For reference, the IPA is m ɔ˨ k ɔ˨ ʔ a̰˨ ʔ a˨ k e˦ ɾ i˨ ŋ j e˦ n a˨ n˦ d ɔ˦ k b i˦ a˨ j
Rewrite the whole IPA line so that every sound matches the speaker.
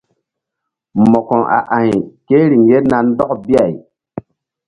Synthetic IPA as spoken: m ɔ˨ k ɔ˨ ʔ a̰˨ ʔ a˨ k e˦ ɾ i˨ ŋ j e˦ n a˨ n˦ d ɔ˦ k b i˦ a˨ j